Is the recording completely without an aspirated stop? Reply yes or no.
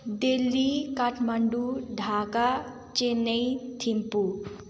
no